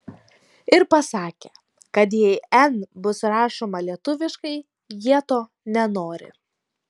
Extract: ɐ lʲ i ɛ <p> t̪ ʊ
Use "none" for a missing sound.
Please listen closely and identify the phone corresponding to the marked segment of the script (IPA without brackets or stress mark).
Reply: none